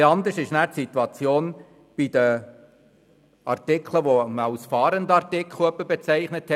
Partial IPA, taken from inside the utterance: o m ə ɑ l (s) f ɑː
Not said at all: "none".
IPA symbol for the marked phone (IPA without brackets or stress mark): s